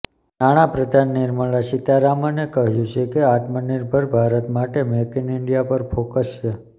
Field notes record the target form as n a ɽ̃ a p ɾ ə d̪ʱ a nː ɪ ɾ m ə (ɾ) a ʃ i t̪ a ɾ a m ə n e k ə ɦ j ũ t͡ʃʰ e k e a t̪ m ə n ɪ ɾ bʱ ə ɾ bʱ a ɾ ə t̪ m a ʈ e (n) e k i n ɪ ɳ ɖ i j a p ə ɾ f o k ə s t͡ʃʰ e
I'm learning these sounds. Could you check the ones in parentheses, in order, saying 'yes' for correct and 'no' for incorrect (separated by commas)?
no, no